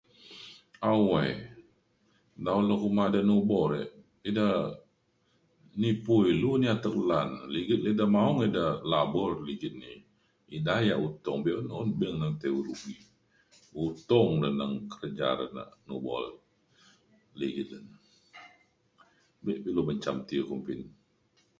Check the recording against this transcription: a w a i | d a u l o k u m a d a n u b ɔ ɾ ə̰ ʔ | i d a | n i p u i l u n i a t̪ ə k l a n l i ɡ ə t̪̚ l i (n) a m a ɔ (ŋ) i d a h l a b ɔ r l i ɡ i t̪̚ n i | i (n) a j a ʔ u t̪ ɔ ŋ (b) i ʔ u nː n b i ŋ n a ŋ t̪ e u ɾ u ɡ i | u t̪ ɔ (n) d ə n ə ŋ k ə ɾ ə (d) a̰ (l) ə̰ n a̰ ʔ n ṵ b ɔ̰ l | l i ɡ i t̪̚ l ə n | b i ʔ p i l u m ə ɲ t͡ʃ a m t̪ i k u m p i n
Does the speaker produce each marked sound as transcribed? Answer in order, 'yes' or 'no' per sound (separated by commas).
no, yes, no, yes, no, no, no